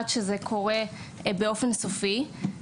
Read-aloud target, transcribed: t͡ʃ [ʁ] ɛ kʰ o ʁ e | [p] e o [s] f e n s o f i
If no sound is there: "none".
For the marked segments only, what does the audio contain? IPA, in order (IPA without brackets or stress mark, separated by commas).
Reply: z, b, none